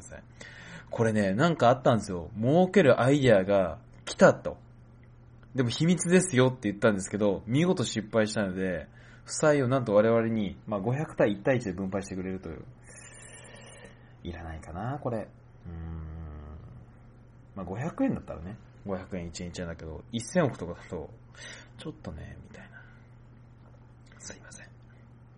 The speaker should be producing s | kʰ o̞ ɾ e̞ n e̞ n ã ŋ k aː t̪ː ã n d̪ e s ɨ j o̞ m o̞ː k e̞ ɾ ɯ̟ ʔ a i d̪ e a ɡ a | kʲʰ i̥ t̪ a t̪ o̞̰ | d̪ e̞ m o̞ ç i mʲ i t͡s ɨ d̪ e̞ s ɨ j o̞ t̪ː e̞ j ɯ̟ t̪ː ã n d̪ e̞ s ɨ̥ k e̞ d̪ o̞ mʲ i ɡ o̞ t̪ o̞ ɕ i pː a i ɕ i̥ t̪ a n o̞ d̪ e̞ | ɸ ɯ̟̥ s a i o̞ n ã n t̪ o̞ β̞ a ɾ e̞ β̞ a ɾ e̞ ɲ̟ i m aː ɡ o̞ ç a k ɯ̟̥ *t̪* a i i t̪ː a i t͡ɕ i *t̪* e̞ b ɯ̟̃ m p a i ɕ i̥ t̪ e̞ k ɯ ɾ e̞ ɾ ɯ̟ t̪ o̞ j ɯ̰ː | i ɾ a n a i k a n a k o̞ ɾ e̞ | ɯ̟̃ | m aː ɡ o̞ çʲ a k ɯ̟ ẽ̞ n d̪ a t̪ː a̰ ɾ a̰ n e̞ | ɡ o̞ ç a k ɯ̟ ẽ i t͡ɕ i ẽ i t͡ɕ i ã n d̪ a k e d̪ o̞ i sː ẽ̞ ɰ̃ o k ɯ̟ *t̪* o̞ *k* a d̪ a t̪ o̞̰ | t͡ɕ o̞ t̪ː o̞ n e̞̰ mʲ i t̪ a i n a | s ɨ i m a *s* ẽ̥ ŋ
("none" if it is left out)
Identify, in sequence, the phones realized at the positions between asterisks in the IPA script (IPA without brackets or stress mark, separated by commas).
t̪, d̪, t̪, k, s